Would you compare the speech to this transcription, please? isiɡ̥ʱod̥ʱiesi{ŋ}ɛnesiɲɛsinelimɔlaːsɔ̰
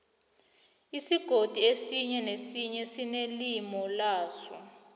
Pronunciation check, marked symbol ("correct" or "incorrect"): incorrect